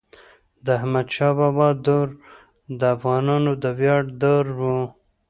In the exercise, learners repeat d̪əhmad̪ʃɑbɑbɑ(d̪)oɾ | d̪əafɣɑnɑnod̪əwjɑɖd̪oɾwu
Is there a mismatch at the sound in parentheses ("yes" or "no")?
no